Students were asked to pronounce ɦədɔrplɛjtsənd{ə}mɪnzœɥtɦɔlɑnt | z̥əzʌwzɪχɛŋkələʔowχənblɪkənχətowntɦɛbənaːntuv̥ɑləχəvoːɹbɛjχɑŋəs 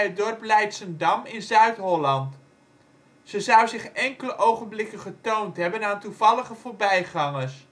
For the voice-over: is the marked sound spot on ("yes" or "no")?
no